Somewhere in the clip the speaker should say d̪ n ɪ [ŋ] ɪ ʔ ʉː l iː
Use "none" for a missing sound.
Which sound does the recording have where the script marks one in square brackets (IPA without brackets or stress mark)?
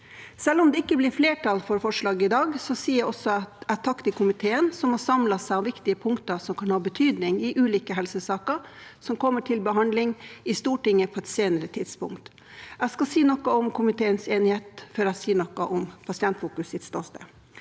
ŋ